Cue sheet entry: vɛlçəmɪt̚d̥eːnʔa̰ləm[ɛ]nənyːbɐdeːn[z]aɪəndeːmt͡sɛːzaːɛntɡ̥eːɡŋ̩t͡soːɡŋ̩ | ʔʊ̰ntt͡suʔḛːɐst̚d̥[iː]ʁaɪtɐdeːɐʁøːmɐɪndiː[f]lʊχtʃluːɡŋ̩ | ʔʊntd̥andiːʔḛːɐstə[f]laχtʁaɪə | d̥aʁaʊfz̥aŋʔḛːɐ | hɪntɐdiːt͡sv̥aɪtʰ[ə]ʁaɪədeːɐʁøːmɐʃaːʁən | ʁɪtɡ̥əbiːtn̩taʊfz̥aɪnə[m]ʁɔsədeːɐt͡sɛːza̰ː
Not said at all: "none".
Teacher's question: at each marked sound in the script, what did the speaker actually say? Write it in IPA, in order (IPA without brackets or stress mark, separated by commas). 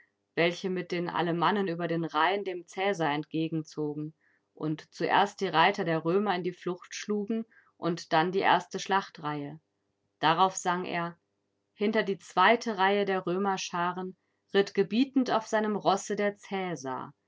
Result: a, ʁ, iː, f, ʃ, ə, m